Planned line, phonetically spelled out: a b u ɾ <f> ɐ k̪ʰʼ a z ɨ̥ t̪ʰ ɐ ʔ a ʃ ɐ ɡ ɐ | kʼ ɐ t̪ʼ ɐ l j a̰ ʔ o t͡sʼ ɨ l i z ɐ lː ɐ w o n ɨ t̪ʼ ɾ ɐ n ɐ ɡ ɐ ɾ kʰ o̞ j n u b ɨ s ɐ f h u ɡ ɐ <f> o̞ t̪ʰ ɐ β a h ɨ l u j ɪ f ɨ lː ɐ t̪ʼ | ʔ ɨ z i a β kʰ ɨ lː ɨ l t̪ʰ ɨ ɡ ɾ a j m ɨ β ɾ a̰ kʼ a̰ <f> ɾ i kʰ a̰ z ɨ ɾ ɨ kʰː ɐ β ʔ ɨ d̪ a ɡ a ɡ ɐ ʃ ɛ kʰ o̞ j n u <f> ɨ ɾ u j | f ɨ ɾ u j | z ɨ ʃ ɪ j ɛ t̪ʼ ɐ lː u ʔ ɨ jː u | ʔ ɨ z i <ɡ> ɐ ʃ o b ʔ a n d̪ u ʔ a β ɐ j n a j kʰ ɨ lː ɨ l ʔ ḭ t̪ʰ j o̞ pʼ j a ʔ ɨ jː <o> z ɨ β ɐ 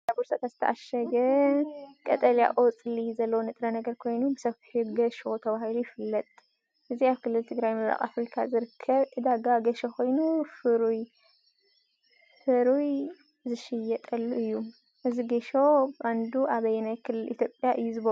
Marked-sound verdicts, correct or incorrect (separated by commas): incorrect, incorrect, correct, correct, correct, incorrect